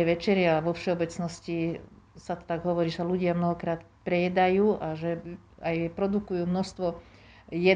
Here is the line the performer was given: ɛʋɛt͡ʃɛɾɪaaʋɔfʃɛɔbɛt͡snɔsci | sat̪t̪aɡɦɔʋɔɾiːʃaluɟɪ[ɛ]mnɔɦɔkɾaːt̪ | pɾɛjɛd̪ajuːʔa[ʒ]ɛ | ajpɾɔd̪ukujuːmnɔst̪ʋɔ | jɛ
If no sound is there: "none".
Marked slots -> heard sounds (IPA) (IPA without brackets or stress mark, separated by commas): a, ʒ